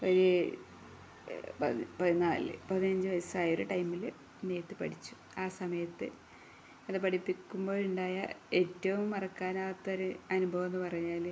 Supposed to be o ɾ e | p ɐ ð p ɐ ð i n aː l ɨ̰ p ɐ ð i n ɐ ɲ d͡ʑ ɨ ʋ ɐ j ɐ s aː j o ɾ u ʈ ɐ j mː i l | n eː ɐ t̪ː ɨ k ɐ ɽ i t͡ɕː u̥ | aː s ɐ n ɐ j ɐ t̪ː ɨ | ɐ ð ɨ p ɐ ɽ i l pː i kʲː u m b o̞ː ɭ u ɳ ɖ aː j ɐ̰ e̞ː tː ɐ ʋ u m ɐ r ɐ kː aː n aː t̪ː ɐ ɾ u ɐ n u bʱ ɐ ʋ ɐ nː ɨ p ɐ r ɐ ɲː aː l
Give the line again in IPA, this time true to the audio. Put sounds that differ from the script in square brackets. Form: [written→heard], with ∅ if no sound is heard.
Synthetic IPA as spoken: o ɾ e | p ɐ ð p ɐ ð i n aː l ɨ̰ p ɐ ð i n ɐ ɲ d͡ʑ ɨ ʋ ɐ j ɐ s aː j o ɾ u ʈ ɐ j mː i l | n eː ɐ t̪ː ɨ [k→p] ɐ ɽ i t͡ɕː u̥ | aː s ɐ [n→m] ɐ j ɐ t̪ː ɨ | ɐ ð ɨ p ɐ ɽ i [l→∅] pː i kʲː u m b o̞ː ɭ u ɳ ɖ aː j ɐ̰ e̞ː tː ɐ ʋ u m ɐ r ɐ kː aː n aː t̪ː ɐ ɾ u ɐ n u bʱ ɐ ʋ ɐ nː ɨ p ɐ r ɐ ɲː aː l